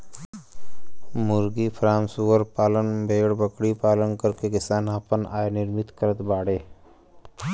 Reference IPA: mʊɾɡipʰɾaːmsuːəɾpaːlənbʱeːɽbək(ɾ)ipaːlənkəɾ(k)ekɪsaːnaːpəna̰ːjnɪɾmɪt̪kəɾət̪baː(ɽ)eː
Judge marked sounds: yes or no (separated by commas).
no, yes, yes